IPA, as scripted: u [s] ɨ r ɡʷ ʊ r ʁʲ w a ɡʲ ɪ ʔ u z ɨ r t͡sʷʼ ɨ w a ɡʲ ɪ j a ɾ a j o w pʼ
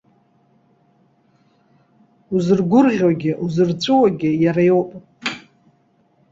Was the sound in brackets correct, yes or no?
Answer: no